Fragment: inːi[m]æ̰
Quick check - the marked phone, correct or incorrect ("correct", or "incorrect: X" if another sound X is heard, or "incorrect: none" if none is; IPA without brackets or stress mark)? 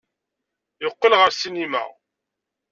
correct